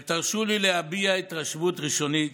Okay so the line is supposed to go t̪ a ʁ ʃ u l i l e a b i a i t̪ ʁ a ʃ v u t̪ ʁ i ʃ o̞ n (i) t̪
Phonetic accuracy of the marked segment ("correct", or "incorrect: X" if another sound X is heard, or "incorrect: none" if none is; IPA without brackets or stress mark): correct